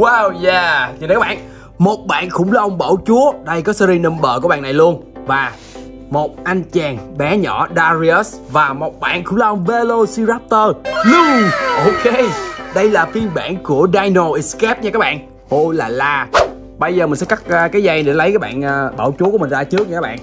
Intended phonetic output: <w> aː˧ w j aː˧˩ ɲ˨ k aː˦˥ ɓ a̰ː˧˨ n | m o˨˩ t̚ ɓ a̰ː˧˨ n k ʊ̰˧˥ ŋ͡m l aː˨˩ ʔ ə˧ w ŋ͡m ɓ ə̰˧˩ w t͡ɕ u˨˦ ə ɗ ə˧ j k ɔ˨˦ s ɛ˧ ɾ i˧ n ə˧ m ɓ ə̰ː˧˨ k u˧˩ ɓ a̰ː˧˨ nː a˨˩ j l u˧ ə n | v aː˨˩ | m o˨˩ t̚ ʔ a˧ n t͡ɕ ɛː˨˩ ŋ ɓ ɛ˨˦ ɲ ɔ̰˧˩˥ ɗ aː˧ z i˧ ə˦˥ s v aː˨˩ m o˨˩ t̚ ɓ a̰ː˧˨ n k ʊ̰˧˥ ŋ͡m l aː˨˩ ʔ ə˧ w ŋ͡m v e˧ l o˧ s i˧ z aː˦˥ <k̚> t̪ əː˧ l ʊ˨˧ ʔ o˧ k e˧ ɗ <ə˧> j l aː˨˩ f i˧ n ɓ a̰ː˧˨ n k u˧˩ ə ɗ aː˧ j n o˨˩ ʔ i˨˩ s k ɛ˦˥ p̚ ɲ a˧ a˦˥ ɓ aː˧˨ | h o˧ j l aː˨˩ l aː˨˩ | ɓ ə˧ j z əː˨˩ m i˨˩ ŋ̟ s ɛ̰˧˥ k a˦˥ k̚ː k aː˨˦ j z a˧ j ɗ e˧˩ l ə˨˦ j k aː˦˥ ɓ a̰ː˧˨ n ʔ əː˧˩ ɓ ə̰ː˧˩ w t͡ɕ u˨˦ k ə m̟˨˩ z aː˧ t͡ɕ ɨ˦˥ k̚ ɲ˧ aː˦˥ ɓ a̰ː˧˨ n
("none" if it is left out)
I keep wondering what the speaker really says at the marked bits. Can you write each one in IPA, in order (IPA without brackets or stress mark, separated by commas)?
w, p̚, ə˧